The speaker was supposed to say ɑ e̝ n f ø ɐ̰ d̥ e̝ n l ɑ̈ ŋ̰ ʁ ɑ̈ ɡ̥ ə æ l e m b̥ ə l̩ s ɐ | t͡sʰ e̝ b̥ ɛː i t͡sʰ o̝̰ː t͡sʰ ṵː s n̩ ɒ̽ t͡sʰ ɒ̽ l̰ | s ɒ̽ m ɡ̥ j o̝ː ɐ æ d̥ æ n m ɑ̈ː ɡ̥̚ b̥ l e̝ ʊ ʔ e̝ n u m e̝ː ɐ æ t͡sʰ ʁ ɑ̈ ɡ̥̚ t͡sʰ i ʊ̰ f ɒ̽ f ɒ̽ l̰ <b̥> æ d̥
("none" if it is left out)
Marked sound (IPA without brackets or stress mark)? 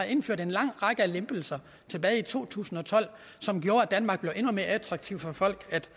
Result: ɡ̥